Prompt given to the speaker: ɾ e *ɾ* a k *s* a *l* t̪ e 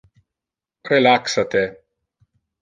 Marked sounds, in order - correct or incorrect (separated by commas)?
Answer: incorrect, correct, incorrect